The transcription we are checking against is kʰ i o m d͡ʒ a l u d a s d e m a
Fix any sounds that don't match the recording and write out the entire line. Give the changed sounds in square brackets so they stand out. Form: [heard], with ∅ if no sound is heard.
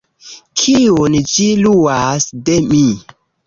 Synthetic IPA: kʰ i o [n] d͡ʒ [i] l u [∅] a s d e m [i]